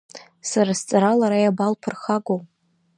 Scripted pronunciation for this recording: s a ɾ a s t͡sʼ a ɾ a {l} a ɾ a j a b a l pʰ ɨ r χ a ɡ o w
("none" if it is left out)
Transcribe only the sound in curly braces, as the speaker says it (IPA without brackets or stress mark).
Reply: l